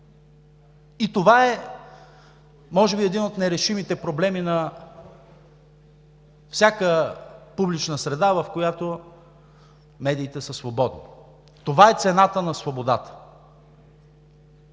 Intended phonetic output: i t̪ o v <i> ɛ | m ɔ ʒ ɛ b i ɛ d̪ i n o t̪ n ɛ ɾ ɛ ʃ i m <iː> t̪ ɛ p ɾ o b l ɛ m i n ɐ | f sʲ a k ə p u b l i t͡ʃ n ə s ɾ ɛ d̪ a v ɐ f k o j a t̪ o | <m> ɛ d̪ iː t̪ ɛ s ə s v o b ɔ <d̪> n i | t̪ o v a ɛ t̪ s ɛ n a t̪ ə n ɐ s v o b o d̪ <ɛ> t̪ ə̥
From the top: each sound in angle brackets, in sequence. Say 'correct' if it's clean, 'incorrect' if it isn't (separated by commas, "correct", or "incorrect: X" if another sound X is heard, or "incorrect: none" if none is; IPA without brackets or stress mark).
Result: incorrect: a, incorrect: i, correct, correct, incorrect: a